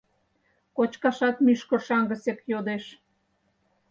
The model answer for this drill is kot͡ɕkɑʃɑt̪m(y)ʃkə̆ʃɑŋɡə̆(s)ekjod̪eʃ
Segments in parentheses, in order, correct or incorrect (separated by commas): correct, correct